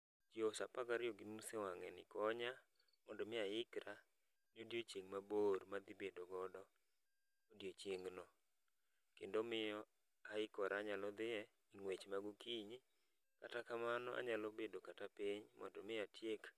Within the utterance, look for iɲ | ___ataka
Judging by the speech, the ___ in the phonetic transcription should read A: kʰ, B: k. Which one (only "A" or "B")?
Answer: B